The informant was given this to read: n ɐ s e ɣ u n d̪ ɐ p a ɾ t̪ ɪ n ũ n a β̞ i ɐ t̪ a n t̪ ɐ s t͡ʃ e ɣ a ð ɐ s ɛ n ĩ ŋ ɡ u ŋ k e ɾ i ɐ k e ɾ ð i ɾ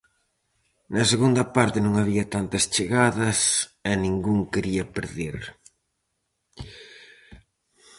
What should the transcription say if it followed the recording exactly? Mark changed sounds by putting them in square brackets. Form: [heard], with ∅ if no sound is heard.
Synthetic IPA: n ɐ s e ɣ u n d̪ ɐ p a ɾ t̪ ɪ n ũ [ŋ] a β̞ i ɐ t̪ a n t̪ ɐ s t͡ʃ e ɣ a ð ɐ s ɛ n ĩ ŋ ɡ u ŋ k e ɾ i ɐ [p] e ɾ ð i ɾ